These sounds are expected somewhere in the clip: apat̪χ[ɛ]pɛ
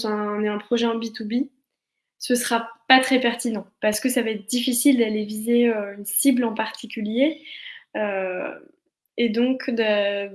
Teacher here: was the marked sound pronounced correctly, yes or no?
yes